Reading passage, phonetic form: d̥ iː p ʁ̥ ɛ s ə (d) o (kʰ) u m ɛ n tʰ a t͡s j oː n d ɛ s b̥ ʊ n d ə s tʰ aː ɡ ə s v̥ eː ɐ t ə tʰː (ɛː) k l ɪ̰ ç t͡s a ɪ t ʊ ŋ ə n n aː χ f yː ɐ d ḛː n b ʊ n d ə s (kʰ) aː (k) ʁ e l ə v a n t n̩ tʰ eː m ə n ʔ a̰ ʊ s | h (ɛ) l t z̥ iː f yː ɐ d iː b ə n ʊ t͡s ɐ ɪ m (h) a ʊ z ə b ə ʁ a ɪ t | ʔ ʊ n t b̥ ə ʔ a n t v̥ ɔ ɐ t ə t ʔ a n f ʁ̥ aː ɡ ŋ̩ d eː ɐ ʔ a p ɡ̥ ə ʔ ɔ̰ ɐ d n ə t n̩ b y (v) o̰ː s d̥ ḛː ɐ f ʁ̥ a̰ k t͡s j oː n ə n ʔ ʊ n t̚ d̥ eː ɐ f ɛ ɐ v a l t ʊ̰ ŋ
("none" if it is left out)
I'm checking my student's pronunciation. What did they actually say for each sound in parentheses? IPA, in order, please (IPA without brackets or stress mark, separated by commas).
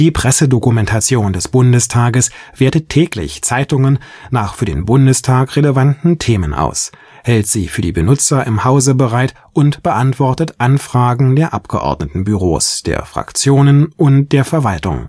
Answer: d, k, ɛː, tʰ, k, ɛ, h, ʁ